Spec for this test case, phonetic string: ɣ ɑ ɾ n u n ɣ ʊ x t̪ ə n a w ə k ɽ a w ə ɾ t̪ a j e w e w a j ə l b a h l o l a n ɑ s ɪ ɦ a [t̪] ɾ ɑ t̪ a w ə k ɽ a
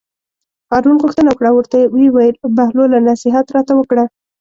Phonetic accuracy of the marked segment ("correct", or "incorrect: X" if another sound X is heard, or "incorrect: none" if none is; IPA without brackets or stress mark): correct